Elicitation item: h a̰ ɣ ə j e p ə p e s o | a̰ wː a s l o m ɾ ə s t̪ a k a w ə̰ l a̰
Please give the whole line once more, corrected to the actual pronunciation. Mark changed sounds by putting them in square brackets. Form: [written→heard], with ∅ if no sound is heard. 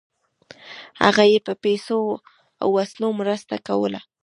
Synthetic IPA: h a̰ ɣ [ə→a] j e p ə p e s o | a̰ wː a s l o m ɾ ə s t̪ a k a w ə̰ l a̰